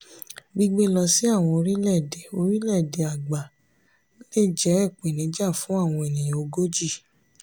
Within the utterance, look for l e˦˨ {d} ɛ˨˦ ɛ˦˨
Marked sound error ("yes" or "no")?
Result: yes